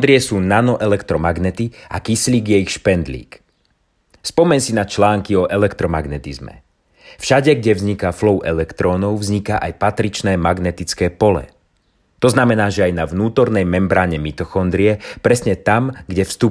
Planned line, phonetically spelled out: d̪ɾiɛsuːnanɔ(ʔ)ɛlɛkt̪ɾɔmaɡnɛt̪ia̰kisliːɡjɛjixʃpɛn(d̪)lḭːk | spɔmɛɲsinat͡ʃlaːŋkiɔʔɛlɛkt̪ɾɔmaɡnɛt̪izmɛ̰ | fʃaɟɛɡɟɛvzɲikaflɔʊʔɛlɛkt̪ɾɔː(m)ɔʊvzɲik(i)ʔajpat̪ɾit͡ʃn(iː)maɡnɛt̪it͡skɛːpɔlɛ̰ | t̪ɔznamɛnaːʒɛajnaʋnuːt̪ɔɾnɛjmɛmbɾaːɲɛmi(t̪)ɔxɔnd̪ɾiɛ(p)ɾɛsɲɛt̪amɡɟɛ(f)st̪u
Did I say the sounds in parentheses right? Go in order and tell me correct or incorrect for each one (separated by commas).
correct, correct, incorrect, incorrect, incorrect, correct, correct, correct